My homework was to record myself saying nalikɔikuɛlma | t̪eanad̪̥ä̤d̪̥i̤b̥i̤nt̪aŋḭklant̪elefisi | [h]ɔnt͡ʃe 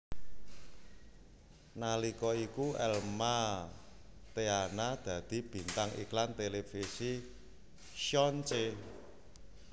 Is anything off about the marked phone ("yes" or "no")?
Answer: yes